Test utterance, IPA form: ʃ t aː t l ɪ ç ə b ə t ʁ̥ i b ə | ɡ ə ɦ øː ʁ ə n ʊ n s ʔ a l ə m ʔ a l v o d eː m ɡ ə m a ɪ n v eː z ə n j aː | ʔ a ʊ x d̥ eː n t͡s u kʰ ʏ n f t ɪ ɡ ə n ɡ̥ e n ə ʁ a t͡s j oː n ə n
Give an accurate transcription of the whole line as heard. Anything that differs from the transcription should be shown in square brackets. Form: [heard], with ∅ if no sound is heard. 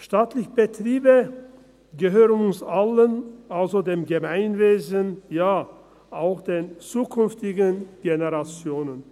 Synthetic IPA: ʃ t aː t l ɪ ç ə b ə t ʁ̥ [iː] b ə | ɡ ə ɦ øː ʁ ə n ʊ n s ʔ a l ə [n] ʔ a l [z] o d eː m ɡ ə m a ɪ n v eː z ə n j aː | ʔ a ʊ x d̥ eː n t͡s [uː] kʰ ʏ n f t ɪ ɡ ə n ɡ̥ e n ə ʁ a t͡s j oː n ə n

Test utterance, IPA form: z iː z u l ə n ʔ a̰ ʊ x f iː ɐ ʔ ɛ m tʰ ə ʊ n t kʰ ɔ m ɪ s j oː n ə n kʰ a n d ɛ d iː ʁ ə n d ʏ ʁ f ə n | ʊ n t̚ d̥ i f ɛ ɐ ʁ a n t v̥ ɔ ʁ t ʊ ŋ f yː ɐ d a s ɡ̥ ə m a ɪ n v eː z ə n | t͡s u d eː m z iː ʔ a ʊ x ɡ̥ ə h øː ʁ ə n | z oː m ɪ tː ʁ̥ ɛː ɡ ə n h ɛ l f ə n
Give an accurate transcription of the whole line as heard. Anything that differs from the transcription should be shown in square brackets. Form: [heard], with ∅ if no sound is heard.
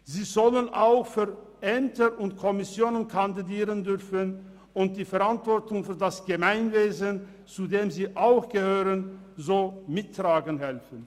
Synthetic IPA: z iː z [ɔ] l ə n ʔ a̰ ʊ x f [yː] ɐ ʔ ɛ m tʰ ə ʊ n t kʰ ɔ m ɪ s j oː n ə n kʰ a n d [i] d iː ʁ ə n d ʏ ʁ f ə n | ʊ n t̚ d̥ [iː] f ɛ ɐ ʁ a n t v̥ ɔ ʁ t ʊ ŋ f yː ɐ d a s ɡ̥ ə m a ɪ n v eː z ə n | t͡s u d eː m z iː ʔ a ʊ x ɡ̥ ə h øː ʁ ə n | z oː m ɪ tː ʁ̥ [aː] ɡ ə n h ɛ l f ə n

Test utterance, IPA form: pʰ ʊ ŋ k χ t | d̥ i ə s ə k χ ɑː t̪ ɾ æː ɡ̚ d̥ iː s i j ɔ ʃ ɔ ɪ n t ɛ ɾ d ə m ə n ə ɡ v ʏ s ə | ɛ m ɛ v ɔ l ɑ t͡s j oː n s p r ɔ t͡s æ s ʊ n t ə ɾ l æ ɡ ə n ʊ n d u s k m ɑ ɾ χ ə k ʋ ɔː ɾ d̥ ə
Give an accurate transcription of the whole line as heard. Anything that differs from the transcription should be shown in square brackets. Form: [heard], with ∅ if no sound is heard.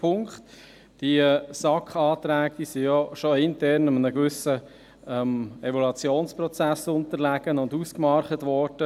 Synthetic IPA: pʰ ʊ ŋ k χ t | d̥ i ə s [ɑ] k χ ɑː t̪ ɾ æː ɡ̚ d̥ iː s i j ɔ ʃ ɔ ɪ n t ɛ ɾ [n] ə m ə n ə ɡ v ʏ s ə | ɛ m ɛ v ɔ l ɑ t͡s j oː n s p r ɔ t͡s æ s ʊ n t ə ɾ l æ ɡ ə n ʊ n d u s k m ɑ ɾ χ ə [t] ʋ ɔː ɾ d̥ ə

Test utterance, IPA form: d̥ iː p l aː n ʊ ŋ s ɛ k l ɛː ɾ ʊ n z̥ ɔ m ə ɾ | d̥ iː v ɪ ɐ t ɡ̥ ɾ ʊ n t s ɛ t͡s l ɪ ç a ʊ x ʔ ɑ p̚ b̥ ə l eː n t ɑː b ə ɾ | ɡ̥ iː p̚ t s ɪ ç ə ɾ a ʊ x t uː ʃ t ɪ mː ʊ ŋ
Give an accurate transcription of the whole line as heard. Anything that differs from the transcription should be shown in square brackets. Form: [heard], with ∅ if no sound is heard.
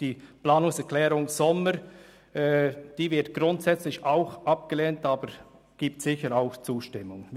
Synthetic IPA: d̥ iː p l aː n ʊ ŋ s ɛ k l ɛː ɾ ʊ [ŋ] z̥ ɔ m ə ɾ | d̥ iː v ɪ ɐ t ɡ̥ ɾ ʊ n t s ɛ t͡s l ɪ ç a ʊ x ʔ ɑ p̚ [ɡ̥] ə l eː n t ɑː b ə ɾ | ɡ̥ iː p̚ t s ɪ ç ə ɾ a ʊ x [t͡s] uː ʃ t ɪ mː ʊ ŋ

